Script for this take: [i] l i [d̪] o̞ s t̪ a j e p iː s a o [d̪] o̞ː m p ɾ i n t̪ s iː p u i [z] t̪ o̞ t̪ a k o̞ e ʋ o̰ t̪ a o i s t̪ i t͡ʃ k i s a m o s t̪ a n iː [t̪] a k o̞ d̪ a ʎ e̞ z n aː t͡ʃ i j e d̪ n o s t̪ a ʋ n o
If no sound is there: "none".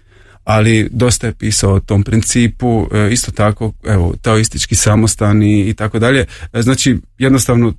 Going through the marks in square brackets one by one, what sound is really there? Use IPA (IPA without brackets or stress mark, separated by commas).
a, d̪, t̪, s, t̪